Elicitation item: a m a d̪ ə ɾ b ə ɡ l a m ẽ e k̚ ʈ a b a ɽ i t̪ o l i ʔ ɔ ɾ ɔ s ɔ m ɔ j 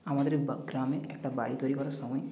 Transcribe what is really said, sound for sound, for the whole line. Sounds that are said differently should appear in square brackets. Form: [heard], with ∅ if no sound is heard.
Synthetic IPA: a m a d̪ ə ɾ b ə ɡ [ɾ] a m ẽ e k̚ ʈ a b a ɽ i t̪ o [ɾ] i [k] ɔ ɾ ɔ s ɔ m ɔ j